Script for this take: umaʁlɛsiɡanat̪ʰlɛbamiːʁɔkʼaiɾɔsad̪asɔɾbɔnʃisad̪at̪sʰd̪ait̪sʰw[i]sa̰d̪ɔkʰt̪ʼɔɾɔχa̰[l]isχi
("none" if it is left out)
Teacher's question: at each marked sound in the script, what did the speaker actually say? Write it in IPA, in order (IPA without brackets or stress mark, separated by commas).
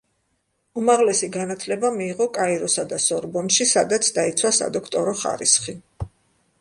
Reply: a, ɾ